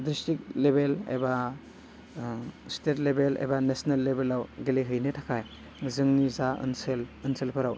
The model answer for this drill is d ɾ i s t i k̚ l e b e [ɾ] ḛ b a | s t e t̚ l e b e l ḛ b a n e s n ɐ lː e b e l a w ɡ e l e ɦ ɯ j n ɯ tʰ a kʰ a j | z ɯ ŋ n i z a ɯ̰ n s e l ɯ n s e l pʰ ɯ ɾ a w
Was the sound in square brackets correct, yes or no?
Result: no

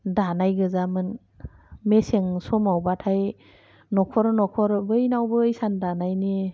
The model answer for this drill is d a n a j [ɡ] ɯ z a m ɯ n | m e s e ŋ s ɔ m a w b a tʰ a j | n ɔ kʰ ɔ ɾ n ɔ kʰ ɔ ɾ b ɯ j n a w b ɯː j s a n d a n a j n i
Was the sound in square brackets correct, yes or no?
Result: yes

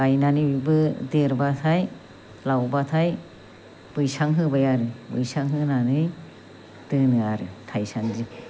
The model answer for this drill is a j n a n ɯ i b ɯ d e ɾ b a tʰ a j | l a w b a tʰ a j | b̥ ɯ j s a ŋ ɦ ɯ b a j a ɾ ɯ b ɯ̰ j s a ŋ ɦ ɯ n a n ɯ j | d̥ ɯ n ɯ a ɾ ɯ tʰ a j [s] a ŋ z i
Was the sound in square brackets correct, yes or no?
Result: yes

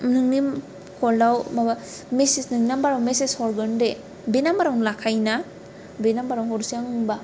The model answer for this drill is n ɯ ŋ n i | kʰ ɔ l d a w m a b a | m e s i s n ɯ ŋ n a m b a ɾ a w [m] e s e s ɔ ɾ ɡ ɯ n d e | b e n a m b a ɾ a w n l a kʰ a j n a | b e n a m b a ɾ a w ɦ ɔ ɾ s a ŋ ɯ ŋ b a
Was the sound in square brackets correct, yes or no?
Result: yes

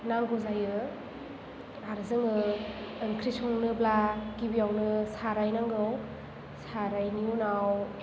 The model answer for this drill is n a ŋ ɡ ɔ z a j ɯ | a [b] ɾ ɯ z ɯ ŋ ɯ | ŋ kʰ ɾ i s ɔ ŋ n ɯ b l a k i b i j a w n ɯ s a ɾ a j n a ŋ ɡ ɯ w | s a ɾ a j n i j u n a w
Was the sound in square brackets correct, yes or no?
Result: no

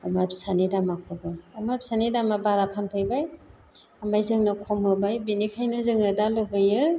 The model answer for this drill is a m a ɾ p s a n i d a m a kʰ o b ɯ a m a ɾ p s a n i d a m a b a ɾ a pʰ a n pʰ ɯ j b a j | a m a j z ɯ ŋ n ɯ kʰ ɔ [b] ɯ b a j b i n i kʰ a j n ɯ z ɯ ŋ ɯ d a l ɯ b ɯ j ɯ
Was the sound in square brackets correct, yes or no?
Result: no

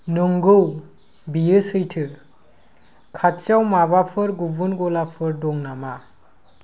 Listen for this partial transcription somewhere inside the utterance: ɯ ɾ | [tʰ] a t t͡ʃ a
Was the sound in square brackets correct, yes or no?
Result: no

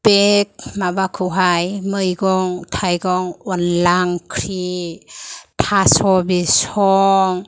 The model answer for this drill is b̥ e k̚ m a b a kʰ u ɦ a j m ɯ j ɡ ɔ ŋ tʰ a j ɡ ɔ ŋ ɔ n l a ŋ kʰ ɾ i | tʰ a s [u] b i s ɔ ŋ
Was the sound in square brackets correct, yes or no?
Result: no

